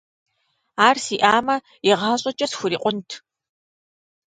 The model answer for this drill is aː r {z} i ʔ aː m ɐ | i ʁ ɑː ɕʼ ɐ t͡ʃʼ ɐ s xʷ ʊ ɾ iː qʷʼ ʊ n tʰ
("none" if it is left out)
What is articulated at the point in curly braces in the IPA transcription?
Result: s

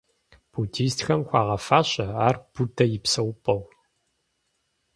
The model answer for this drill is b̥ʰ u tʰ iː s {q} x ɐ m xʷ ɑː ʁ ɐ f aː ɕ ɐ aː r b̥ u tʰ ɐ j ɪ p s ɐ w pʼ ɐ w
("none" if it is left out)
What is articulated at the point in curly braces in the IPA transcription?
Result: t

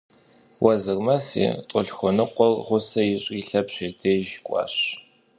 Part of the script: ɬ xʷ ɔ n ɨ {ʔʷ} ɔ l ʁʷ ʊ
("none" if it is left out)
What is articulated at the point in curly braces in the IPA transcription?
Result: qʷ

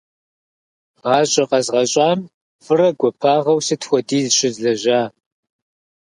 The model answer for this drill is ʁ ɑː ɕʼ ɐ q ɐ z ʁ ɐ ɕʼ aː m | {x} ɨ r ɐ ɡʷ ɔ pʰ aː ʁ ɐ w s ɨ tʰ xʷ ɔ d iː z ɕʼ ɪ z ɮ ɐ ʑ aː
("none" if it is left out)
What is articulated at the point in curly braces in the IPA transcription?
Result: f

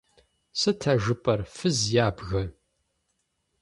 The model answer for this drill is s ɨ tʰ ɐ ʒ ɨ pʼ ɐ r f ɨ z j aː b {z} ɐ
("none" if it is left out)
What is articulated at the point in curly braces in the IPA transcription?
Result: ɣ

